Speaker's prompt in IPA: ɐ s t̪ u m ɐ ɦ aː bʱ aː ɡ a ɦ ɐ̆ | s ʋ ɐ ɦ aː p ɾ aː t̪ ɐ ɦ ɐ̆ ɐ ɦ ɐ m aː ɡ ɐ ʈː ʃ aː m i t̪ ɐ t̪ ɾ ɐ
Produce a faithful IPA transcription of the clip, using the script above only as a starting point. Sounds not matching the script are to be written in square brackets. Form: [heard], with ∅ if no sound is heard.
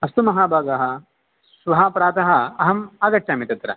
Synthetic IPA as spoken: ɐ s t̪ u m ɐ ɦ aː bʱ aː ɡ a ɦ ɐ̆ | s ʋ ɐ ɦ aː p ɾ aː t̪ ɐ ɦ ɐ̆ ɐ ɦ ɐ m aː ɡ ɐ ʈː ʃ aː m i t̪ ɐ t̪ ɾ ɐ